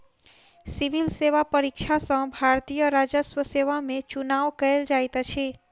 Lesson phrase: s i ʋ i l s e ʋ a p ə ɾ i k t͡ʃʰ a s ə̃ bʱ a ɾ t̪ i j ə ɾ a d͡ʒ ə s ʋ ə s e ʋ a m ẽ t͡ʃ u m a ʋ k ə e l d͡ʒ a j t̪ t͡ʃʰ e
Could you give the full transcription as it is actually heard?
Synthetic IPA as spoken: s i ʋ i l s e ʋ a p ə ɾ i k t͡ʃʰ a s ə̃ bʱ a ɾ t̪ i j ə ɾ a d͡ʒ ə s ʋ ə s e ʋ a m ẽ t͡ʃ u n a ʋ k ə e l d͡ʒ a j t̪ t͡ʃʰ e